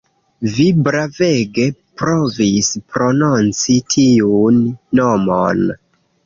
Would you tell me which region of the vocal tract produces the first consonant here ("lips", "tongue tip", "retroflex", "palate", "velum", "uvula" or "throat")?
lips